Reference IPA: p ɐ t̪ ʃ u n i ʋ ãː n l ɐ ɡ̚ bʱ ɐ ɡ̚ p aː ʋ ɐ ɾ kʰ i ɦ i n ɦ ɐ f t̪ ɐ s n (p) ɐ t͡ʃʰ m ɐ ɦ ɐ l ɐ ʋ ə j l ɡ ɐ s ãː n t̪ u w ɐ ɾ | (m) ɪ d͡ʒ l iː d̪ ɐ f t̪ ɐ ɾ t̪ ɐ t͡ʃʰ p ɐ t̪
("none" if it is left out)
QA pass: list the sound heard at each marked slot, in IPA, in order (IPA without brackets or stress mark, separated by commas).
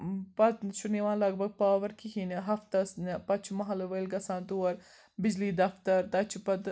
p, b